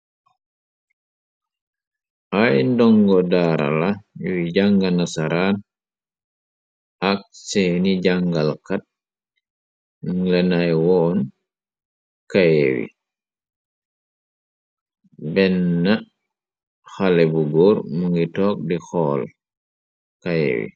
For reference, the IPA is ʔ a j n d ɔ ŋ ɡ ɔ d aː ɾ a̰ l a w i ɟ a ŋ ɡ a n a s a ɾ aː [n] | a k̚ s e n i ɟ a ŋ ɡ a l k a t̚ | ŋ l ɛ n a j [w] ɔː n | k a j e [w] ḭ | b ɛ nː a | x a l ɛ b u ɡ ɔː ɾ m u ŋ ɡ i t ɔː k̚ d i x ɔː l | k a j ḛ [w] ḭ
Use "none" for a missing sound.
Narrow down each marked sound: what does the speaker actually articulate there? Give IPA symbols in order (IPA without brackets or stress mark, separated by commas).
n, w, w, w